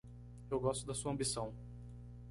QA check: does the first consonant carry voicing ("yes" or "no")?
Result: yes